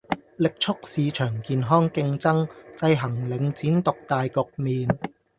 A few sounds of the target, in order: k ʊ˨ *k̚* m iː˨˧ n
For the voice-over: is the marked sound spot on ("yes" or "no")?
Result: yes